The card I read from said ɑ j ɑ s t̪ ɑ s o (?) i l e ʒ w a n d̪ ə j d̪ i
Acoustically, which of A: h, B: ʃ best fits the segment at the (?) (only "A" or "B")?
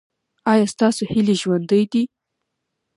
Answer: A